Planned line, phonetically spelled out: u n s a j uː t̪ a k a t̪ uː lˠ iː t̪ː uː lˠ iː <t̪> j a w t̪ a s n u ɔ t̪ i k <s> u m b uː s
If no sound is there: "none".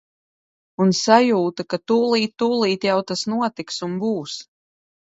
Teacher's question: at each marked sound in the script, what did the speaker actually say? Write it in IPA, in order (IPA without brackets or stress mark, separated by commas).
t̪, s